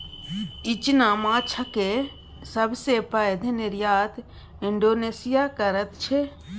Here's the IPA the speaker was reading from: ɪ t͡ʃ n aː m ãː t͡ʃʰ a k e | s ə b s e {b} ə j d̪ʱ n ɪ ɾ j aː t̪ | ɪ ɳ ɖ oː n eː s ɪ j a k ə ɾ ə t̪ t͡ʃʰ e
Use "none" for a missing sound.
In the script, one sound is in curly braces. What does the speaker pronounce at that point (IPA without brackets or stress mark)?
p